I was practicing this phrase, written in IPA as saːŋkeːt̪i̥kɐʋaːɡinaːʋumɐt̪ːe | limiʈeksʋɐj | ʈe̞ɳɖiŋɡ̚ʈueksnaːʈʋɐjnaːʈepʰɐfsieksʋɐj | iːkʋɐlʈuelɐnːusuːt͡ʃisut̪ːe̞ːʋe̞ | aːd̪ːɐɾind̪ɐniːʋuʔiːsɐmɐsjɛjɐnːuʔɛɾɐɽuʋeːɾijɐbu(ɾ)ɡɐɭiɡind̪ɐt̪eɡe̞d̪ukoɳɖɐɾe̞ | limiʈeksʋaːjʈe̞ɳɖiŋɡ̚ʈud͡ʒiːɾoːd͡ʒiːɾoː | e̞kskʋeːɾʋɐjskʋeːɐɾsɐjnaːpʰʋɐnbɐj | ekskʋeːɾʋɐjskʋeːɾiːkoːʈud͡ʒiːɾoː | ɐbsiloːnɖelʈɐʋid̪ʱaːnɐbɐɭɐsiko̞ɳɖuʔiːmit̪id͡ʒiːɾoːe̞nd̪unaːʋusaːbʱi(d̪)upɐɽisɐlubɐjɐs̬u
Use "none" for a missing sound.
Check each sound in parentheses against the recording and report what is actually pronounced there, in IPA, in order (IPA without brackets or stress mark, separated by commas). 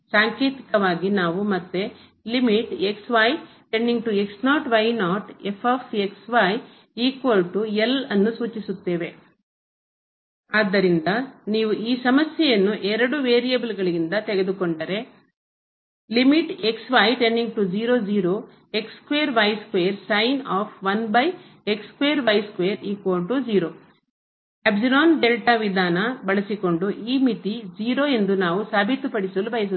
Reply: l, t̪